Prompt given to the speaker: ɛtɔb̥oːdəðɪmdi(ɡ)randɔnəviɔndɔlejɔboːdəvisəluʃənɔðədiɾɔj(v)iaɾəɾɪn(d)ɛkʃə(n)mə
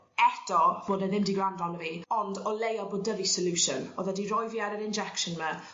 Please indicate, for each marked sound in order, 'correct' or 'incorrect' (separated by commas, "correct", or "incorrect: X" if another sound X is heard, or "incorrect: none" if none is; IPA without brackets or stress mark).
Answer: correct, correct, incorrect: d͡ʒ, correct